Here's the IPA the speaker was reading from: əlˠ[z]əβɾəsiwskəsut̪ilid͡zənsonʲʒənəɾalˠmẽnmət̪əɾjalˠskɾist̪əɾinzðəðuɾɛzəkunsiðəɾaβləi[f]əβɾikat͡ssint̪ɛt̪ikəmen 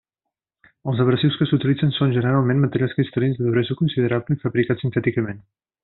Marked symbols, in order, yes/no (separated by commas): yes, yes